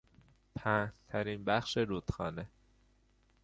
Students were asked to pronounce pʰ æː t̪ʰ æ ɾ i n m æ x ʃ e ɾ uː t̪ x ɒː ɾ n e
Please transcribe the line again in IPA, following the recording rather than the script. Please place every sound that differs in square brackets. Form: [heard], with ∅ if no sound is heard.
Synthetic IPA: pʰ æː t̪ʰ æ ɾ i n [b] æ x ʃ e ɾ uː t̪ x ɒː [∅] n e